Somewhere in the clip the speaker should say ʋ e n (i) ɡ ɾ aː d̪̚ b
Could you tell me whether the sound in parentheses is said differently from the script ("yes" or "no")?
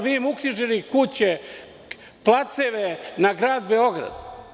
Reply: yes